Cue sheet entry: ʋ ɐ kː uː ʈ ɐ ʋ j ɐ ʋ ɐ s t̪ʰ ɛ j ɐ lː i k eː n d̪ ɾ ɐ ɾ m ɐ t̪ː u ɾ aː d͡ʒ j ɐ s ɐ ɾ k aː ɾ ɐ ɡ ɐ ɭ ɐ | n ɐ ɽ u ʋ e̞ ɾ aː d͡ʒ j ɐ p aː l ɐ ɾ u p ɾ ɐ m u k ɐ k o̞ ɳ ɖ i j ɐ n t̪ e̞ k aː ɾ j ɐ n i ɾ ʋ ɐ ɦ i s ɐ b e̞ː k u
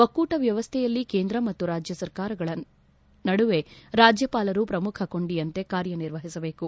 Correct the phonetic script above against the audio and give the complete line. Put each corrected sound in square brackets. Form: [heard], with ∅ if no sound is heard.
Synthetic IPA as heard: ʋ ɐ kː uː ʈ ɐ ʋ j ɐ ʋ ɐ s t̪ʰ ɛ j ɐ lː i k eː n d̪ ɾ ɐ [∅] m ɐ t̪ː u ɾ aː d͡ʒ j ɐ s ɐ ɾ k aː ɾ ɐ ɡ ɐ ɭ ɐ | n ɐ ɽ u ʋ e̞ ɾ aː d͡ʒ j ɐ p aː l ɐ ɾ u p ɾ ɐ m u [kʰ] ɐ k o̞ ɳ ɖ i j ɐ n t̪ e̞ k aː ɾ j ɐ n i ɾ ʋ ɐ ɦ i s ɐ b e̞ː k u

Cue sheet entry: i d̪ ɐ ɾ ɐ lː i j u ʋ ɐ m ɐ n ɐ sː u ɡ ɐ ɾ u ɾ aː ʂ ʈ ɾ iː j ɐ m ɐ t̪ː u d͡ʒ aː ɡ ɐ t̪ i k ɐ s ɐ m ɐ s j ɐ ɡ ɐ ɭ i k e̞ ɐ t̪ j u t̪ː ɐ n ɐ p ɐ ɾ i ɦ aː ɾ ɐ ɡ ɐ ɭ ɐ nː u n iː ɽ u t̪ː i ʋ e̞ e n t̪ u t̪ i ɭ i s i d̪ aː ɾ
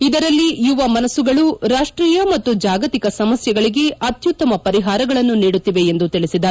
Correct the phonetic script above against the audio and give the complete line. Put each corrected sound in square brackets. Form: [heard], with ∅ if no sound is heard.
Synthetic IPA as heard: i d̪ ɐ ɾ ɐ lː i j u ʋ ɐ m ɐ n ɐ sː u ɡ ɐ [ɭ] u ɾ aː ʂ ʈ ɾ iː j ɐ m ɐ t̪ː u d͡ʒ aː ɡ ɐ t̪ i k ɐ s ɐ m ɐ s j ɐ ɡ ɐ ɭ i [ɡ] e̞ ɐ t̪ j u t̪ː ɐ [m] ɐ p ɐ ɾ i ɦ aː ɾ ɐ ɡ ɐ ɭ ɐ nː u n iː ɽ u t̪ː i ʋ e̞ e n [d̪] u t̪ i ɭ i s i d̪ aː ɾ

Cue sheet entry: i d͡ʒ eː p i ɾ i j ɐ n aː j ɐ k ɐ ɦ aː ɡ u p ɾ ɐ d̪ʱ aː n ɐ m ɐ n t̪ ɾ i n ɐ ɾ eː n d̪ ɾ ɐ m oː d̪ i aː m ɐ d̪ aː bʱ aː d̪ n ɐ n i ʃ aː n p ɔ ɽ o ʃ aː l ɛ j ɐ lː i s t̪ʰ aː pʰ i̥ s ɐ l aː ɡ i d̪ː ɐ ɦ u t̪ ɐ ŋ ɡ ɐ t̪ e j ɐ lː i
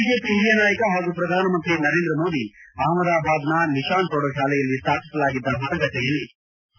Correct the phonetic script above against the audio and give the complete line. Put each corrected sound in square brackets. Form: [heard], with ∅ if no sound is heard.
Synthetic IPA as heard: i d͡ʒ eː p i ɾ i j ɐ n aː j ɐ k ɐ ɦ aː ɡ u p ɾ ɐ d̪ʱ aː n ɐ m ɐ n t̪ ɾ i n ɐ ɾ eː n d̪ ɾ ɐ m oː d̪ i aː m ɐ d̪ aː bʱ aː d̪ n ɐ n i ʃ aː n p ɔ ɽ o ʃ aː l ɛ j ɐ lː i s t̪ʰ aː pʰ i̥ s ɐ l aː ɡ i d̪ː ɐ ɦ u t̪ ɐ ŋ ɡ ɐ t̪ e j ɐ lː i

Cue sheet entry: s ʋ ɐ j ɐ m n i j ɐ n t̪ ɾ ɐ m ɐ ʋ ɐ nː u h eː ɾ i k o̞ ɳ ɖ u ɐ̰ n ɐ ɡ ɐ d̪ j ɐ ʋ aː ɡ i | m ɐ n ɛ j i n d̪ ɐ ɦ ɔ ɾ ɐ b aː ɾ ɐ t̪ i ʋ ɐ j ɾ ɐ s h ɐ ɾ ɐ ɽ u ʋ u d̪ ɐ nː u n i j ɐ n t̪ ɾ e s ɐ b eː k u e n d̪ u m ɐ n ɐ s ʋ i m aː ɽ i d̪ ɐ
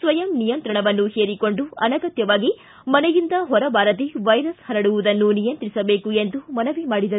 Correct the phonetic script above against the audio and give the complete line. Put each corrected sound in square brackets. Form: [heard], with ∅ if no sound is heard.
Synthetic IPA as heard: s ʋ ɐ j ɐ m n i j ɐ n t̪ ɾ ɐ [ɳ] ɐ ʋ ɐ nː u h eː ɾ i k o̞ ɳ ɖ u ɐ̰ n ɐ ɡ ɐ [t̪] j ɐ ʋ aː ɡ i | m ɐ n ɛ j i n d̪ ɐ ɦ ɔ ɾ ɐ b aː ɾ ɐ t̪ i ʋ ɐ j ɾ ɐ s h ɐ ɾ ɐ ɽ u ʋ u d̪ ɐ nː u n i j ɐ n t̪ ɾ [i] s ɐ b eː k u e n d̪ u m ɐ n ɐ [∅] ʋ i m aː ɽ i d̪ ɐ

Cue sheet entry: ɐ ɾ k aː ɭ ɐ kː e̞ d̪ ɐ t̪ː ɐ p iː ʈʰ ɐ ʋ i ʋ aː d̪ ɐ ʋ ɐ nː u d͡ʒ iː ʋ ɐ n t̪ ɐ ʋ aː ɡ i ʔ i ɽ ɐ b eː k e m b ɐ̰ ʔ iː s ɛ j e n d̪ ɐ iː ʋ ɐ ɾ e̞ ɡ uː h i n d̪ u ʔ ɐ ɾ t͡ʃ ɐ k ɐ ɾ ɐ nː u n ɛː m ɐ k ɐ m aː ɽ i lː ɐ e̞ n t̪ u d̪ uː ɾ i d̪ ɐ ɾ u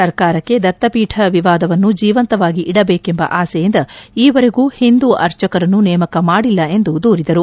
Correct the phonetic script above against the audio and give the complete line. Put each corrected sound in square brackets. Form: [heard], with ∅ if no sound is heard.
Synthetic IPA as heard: ɐ ɾ k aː [ɾ] ɐ kː e̞ d̪ ɐ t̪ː ɐ p iː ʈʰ ɐ ʋ i ʋ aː d̪ ɐ ʋ ɐ nː u d͡ʒ iː ʋ ɐ n t̪ ɐ ʋ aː ɡ i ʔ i ɽ ɐ b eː k e m b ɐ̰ ʔ [aː] s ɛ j [i] n d̪ ɐ iː ʋ ɐ ɾ e̞ ɡ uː h i n d̪ u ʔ ɐ ɾ t͡ʃ ɐ k ɐ ɾ ɐ nː u n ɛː m ɐ k ɐ m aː ɽ i lː ɐ e̞ n [d̪] u d̪ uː ɾ i d̪ ɐ ɾ u

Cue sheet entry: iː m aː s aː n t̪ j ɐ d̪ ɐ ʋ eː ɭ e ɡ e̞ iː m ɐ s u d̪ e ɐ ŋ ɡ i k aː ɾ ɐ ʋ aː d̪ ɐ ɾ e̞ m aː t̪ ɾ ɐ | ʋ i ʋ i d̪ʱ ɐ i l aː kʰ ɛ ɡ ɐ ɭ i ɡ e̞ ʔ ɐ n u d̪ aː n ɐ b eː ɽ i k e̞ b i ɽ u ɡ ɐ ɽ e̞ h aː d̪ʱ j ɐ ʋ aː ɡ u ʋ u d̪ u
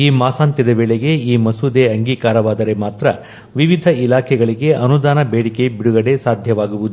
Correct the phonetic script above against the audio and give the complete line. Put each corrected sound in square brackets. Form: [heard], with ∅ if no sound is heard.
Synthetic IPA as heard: iː m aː s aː n t̪ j ɐ d̪ ɐ ʋ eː ɭ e ɡ e̞ iː m ɐ s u d̪ e ɐ ŋ ɡ [iː] k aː ɾ ɐ ʋ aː d̪ ɐ ɾ e̞ m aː t̪ ɾ ɐ | ʋ i ʋ i d̪ʱ ɐ i l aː kʰ ɛ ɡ ɐ ɭ i ɡ e̞ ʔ ɐ n u d̪ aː n ɐ b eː ɽ i k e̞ b i ɽ u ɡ ɐ ɽ e̞ [s] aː d̪ʱ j ɐ ʋ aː ɡ u ʋ u d̪ u

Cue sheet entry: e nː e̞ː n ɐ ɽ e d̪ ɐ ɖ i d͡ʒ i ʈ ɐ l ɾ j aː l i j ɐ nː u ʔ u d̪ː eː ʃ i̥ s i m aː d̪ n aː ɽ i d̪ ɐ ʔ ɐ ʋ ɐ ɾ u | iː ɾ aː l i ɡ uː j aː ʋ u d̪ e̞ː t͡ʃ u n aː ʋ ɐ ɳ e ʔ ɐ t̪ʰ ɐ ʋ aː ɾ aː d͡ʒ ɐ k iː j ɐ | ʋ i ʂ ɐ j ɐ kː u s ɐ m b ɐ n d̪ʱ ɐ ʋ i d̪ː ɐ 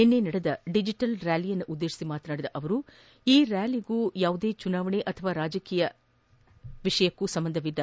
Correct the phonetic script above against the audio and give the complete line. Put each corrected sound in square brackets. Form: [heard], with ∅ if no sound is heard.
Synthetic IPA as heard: e nː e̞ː n ɐ ɽ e d̪ ɐ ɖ i d͡ʒ i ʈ ɐ l ɾ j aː l i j ɐ nː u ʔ u d̪ː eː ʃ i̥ s i m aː [t̪] n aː ɽ i d̪ ɐ ʔ ɐ ʋ ɐ ɾ u | iː ɾ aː l i ɡ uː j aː ʋ u d̪ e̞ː t͡ʃ u n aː ʋ ɐ ɳ e ʔ ɐ t̪ʰ ɐ ʋ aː ɾ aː d͡ʒ ɐ k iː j ɐ | ʋ i ʂ ɐ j ɐ kː u s ɐ m b ɐ n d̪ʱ ɐ ʋ i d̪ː ɐ

